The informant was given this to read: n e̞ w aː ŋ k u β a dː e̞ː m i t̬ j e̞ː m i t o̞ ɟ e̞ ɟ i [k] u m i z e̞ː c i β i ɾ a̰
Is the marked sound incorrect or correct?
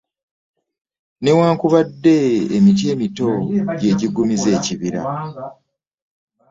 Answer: incorrect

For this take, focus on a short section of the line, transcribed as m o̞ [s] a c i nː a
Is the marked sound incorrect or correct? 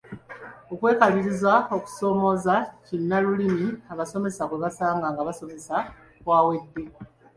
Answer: incorrect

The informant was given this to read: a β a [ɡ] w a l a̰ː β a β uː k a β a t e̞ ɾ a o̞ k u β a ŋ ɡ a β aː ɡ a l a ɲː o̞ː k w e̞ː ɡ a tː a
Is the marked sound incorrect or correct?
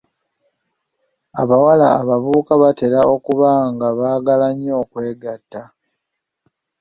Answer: incorrect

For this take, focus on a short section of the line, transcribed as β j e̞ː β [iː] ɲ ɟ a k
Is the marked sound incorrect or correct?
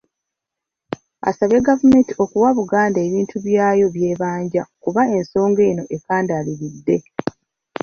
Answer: incorrect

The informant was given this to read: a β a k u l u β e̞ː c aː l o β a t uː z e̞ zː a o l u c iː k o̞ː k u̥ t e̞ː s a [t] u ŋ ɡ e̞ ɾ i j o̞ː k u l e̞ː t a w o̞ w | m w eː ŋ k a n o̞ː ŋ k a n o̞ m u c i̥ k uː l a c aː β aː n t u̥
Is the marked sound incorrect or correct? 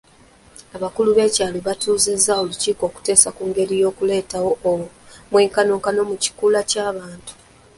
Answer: incorrect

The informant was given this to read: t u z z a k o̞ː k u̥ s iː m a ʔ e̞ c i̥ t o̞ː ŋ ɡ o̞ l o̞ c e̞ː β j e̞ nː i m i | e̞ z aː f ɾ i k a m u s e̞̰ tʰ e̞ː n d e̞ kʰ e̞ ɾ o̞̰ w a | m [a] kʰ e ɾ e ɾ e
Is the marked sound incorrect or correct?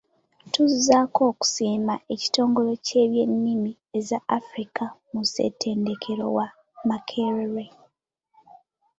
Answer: correct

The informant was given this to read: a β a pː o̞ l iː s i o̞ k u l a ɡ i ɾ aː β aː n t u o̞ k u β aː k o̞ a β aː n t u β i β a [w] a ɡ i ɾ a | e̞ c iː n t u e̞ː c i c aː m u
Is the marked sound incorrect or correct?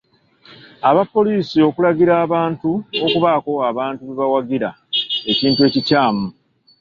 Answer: correct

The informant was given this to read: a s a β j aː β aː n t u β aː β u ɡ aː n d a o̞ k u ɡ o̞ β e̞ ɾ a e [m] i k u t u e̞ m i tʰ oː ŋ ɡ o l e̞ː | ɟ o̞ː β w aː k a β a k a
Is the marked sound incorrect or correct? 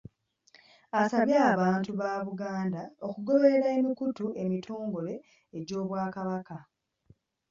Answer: correct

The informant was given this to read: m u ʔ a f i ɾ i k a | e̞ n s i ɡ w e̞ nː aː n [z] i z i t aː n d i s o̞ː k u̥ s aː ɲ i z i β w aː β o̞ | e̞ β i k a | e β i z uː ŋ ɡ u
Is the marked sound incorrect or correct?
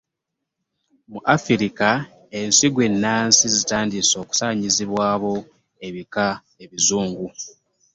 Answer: incorrect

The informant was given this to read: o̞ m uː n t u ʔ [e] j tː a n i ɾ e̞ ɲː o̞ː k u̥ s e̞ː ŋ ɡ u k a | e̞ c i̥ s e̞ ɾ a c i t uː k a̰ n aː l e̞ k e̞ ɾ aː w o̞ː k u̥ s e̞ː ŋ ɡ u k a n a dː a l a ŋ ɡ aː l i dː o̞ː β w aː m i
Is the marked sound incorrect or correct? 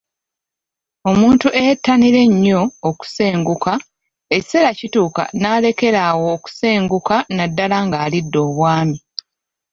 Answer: correct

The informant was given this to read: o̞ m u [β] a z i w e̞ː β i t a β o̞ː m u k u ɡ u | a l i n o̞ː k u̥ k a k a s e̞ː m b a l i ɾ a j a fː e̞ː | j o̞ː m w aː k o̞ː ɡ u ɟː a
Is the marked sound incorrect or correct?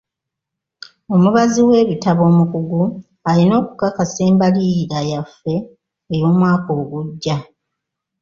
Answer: correct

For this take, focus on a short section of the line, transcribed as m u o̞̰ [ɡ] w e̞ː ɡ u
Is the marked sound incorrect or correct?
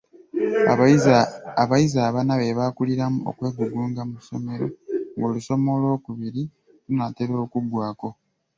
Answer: incorrect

